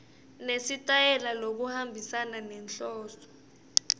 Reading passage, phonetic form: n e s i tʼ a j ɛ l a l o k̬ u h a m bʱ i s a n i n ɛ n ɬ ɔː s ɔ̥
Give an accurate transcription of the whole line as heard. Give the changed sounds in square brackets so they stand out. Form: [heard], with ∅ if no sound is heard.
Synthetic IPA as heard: n e s i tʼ a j ɛ l a l o k̬ u h a m bʱ i s a n [a] n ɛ n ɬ ɔː s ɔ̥